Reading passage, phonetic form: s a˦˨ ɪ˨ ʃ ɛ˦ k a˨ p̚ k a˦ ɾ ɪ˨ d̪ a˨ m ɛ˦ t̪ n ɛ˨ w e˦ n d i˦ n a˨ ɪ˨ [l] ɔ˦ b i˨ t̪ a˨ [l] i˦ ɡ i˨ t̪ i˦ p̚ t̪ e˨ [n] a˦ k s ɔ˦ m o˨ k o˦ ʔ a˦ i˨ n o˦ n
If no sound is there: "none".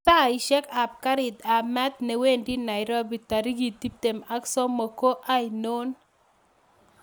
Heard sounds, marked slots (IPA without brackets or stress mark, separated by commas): ɾ, ɾ, m